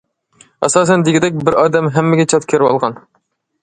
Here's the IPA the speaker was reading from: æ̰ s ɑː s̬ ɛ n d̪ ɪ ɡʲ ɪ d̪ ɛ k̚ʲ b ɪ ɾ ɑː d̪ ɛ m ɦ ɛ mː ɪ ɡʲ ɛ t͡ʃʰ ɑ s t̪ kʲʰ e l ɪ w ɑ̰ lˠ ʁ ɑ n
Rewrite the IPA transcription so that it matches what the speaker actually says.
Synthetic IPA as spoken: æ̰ s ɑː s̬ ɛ n d̪ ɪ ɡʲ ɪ d̪ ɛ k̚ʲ b ɪ ɾ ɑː d̪ ɛ m ɦ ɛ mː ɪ ɡʲ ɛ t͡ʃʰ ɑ t̪ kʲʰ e ɾ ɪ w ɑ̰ lˠ ʁ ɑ n